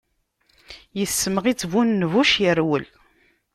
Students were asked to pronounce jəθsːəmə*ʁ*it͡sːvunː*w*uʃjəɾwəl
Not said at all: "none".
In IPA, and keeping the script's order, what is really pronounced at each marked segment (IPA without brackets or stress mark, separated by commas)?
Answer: ʁ, v